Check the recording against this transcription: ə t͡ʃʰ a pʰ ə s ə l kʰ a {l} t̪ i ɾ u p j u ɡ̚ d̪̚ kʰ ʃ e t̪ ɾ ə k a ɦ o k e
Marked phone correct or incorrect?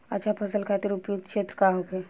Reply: incorrect